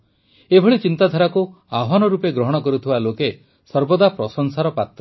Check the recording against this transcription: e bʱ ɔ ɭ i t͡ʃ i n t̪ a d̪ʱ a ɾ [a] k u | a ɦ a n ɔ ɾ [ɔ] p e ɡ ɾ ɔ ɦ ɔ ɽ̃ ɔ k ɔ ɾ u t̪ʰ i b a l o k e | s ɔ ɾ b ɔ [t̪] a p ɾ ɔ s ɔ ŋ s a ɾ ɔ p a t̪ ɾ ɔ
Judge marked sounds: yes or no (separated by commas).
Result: yes, no, no